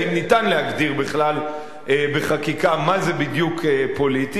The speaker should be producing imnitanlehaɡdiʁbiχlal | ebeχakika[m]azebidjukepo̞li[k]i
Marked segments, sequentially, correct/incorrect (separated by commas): correct, incorrect